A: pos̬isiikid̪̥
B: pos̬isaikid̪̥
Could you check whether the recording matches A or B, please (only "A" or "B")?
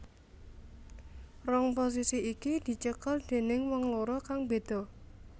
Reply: A